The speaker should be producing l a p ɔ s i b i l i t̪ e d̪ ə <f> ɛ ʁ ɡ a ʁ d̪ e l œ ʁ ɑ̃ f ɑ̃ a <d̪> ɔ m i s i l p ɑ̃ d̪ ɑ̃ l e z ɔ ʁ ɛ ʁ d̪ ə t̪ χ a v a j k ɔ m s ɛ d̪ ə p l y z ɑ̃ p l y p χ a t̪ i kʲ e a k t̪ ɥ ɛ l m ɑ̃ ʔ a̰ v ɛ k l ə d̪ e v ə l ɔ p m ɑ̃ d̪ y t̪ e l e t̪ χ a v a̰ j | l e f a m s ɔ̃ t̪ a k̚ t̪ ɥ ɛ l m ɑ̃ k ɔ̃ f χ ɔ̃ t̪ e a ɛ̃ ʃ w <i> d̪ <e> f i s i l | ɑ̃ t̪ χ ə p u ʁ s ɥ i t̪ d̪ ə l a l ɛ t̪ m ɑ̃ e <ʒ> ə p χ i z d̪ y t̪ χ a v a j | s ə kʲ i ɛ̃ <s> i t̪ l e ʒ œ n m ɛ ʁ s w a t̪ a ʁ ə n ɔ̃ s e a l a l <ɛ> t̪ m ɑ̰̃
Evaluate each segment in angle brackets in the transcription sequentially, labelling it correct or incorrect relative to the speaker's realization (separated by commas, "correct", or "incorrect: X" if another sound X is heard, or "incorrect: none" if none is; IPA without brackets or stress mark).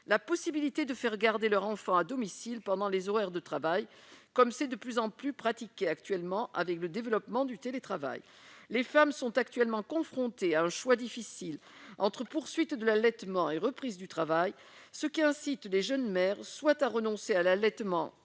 correct, correct, incorrect: a, incorrect: i, incorrect: ʁ, correct, correct